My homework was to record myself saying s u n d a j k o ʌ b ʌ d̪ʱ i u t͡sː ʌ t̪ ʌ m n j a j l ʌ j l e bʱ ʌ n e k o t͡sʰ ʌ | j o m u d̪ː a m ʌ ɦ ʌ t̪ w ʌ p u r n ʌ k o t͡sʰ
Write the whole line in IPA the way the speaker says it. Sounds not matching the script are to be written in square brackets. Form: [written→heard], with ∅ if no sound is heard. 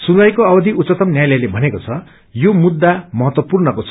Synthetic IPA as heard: s u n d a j k o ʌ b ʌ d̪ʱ i u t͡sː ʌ t̪ ʌ m n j a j l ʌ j l e bʱ ʌ n e k o t͡sʰ ʌ | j o m u d̪ː a m ʌ ɦ ʌ t̪ w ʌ p u r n ʌ k o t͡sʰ